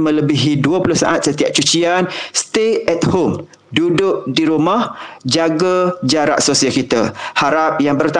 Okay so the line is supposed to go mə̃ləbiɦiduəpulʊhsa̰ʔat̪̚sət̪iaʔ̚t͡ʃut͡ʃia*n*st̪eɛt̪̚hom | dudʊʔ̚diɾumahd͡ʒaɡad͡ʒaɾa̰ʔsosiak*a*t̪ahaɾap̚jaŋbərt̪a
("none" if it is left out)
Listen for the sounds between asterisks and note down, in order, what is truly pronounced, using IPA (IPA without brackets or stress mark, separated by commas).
n, i